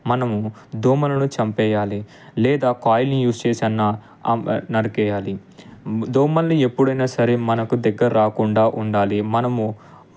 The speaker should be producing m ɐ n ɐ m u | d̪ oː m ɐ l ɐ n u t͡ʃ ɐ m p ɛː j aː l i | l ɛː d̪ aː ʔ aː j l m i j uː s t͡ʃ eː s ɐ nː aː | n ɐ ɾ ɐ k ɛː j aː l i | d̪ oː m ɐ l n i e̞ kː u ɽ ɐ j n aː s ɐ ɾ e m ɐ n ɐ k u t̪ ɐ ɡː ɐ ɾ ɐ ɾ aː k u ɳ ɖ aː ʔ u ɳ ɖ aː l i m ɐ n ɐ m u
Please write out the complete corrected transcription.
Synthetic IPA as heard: m ɐ n ɐ m u | d̪ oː m ɐ l ɐ n u t͡ʃ ɐ m p ɛː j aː l i | l ɛː d̪ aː k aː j l n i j uː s t͡ʃ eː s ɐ nː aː | n ɐ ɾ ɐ k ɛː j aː l i | d̪ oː m ɐ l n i e̞ pː u ɽ ɐ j n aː s ɐ ɾ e m ɐ n ɐ k u d̪ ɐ ɡː ɐ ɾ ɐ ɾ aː k u ɳ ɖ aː ʔ u ɳ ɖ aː l i m ɐ n ɐ m u

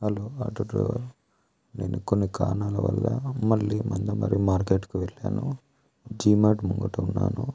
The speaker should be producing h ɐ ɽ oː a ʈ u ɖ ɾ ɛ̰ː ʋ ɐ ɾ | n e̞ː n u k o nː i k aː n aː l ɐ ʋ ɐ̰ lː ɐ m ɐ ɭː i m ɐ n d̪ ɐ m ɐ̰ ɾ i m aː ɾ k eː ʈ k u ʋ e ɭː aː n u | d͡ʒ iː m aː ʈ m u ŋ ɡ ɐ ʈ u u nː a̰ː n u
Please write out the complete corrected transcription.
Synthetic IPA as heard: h ɐ l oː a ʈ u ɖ ɾ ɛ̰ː ʋ ɐ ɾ | n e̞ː n u k o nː i k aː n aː l ɐ ʋ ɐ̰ lː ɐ m ɐ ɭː i m ɐ n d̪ ɐ m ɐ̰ ɾ i m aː ɾ k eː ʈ k u ʋ e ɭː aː n u | d͡ʒ iː m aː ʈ m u ŋ ɡ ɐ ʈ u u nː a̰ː n u

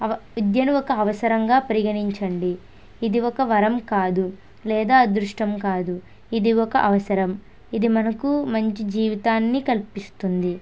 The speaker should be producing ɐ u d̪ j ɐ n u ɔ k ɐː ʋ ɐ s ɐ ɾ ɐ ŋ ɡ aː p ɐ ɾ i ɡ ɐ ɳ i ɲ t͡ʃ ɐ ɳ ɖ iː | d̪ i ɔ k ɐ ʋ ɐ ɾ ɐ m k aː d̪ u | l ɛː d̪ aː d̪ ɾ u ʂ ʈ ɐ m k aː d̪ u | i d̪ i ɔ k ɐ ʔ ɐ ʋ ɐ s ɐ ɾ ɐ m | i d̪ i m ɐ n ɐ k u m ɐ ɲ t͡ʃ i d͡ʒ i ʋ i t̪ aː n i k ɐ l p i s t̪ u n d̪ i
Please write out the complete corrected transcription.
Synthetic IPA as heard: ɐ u d̪ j ɐ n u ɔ k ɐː ʋ ɐ s ɐ ɾ ɐ ŋ ɡ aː p ɐ ɾ i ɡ ɐ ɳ i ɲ t͡ʃ ɐ ɳ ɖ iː | d̪ i ɔ k ɐ ʋ ɐ ɾ ɐ m k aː d̪ u | l ɛː d̪ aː d̪ ɾ u ʂ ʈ ɐ m k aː d̪ u | i d̪ i ɔ k ɐ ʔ ɐ ʋ ɐ s ɐ ɾ ɐ m | i d̪ i m ɐ n ɐ k u m ɐ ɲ t͡ʃ i d͡ʒ iː ʋ i t̪ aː nː i k ɐ l p i s t̪ u n d̪ i

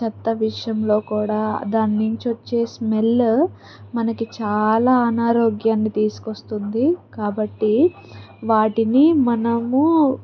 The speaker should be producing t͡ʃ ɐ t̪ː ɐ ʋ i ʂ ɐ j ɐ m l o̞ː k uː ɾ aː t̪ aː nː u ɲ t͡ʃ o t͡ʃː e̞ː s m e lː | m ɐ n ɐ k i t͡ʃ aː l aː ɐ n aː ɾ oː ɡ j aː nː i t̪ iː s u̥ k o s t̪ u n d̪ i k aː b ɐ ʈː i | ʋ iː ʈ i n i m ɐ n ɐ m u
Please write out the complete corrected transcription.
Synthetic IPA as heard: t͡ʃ ɐ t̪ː ɐ ʋ i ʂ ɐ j ɐ m l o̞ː k uː ɽ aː d̪ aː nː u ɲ t͡ʃ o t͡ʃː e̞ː s m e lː | m ɐ n ɐ k i t͡ʃ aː l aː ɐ n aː ɾ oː ɡ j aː nː i t̪ iː s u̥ k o s t̪ u n d̪ i k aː b ɐ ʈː i | ʋ aː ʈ i n i m ɐ n ɐ m u

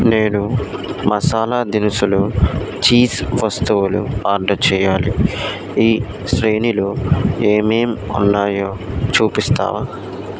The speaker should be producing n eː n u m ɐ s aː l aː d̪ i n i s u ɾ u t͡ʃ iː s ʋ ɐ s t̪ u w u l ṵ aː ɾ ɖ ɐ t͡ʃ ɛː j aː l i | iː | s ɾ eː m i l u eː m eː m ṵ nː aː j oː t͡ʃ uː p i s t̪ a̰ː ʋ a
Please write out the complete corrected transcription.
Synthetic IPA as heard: n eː n u m ɐ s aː l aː d̪ i n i s u l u t͡ʃ iː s ʋ ɐ s t̪ u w u l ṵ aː ɾ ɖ ɐ t͡ʃ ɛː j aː l i | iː | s ɾ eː n i l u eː m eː m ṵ nː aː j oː t͡ʃ uː p i s t̪ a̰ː ʋ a

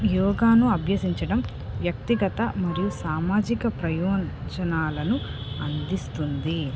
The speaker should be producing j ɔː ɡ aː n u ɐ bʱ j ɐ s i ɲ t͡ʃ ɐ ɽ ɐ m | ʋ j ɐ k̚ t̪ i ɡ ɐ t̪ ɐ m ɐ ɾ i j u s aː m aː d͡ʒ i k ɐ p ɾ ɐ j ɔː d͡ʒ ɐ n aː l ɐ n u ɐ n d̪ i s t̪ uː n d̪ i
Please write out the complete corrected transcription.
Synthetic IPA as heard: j ɔː ɡ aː n u ɐ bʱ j ɐ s i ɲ t͡ʃ ɐ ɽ ɐ m | ʋ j ɐ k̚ t̪ i ɡ ɐ t̪ ɐ m ɐ ɾ i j u s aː m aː d͡ʒ i k ɐ p ɾ ɐ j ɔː d͡ʒ ɐ n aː l ɐ n u ɐ n d̪ i s t̪ u n d̪ i

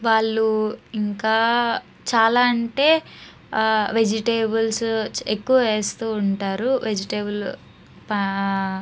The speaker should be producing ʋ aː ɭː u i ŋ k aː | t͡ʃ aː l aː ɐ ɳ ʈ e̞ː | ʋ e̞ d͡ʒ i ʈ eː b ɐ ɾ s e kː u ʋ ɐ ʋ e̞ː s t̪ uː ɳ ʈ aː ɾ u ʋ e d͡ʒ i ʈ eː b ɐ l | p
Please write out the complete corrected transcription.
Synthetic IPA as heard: ʋ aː ɭː u i ŋ k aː | t͡ʃ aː l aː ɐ ɳ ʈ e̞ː | ʋ e̞ d͡ʒ i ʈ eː b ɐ l s e kː u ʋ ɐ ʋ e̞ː s t̪ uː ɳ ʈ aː ɾ u ʋ e d͡ʒ i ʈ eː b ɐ l | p

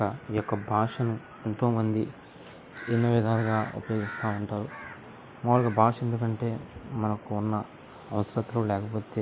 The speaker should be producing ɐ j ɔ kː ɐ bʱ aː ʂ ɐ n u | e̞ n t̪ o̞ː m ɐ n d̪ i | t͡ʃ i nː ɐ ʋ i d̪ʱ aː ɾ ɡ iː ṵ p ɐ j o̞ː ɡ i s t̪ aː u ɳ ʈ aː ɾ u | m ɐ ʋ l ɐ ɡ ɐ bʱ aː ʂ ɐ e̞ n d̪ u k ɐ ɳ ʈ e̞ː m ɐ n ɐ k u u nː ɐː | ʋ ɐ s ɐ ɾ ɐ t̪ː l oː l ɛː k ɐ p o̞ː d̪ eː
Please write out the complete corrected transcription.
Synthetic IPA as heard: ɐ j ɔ kː ɐ bʱ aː ʂ ɐ n u | e̞ n t̪ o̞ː m ɐ n d̪ i | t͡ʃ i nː ɐ ʋ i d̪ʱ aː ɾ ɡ aː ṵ p ɐ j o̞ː ɡ i s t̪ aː u ɳ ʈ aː ɾ u | m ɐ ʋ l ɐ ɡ ɐ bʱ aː ʂ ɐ e̞ n d̪ u k ɐ ɳ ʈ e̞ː m ɐ n ɐ k u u nː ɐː | ʋ ɐ s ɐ ɾ ɐ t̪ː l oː l ɛː k ɐ p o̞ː t̪ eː

